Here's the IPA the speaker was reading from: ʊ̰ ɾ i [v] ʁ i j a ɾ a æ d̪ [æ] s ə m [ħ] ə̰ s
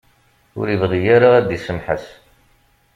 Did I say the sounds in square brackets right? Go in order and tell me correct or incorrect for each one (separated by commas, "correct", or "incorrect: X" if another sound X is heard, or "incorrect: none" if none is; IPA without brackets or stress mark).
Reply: correct, incorrect: i, correct